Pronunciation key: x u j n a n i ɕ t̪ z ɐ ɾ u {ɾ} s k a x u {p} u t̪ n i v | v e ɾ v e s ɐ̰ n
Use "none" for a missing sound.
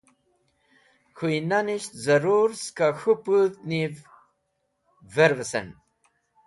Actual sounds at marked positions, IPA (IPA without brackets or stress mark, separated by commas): ɾ, p